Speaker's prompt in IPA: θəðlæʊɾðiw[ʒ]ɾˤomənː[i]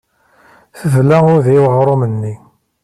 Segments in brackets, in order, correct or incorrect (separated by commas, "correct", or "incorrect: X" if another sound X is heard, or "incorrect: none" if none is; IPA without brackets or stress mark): incorrect: ʁ, correct